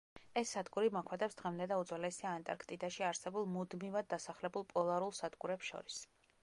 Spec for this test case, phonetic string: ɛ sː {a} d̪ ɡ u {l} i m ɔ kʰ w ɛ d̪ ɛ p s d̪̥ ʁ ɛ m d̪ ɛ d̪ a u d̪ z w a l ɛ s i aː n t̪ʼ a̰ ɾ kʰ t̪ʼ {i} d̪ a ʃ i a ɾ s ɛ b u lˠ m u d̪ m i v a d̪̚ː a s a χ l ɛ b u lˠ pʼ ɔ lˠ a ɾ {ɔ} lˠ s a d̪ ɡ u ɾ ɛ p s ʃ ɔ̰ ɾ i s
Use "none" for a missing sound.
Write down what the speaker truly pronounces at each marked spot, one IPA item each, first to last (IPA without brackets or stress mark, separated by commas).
a, ɾ, i, u